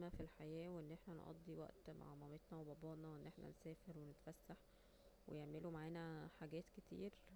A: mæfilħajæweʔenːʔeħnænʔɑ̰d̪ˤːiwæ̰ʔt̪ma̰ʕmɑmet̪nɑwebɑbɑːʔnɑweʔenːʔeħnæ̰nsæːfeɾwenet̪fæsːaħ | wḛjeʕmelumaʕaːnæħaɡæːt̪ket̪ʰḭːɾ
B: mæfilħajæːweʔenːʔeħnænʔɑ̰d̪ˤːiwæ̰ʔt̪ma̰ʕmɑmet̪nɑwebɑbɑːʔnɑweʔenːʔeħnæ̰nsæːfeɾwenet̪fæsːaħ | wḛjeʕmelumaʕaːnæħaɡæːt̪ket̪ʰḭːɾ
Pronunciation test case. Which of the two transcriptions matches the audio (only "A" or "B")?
B